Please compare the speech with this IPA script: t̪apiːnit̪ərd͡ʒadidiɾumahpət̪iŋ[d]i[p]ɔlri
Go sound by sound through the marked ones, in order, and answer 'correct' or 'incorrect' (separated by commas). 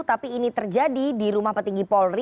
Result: incorrect, correct